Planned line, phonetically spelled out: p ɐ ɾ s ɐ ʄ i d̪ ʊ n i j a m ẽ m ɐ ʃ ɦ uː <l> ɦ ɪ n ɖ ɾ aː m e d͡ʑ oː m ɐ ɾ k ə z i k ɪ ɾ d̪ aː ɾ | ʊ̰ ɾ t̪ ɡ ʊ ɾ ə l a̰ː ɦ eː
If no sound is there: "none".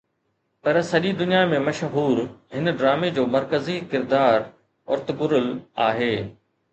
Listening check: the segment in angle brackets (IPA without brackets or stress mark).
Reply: ɾ